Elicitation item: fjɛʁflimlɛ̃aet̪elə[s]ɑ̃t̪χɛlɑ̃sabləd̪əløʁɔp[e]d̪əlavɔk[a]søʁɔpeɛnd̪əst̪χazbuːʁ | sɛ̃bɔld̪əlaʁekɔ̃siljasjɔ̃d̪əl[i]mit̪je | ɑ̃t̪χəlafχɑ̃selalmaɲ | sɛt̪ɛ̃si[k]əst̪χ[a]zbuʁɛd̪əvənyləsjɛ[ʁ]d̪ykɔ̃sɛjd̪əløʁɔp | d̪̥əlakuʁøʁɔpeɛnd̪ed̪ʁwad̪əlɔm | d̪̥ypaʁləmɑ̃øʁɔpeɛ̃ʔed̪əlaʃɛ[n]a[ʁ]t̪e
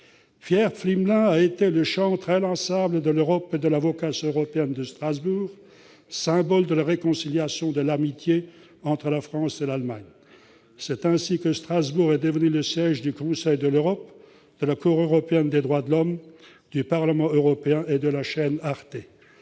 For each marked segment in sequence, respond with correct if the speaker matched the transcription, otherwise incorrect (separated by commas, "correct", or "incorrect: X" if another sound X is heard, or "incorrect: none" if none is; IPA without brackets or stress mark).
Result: incorrect: ʃ, correct, correct, incorrect: a, correct, correct, incorrect: ʒ, correct, correct